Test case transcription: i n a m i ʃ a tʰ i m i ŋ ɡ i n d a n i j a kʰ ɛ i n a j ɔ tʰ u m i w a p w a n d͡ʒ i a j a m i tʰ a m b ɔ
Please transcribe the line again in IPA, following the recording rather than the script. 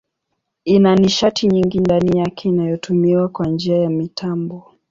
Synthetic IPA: i n a n i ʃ a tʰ i ɲ i ŋ ɡ i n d a n i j a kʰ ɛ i n a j ɔ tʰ u m i w a k w a n d͡ʒ i a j a m i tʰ a m b ɔ